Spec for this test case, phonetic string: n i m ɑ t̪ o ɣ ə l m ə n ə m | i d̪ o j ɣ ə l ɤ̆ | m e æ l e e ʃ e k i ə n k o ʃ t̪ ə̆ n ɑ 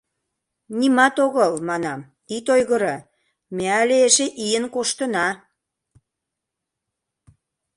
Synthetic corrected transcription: n i m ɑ t̪ o ɣ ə l m ɑ n ɑ m | i t̪ o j ɣ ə ɾ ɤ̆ | m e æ l e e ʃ e ʔ i ə n k o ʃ t̪ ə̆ n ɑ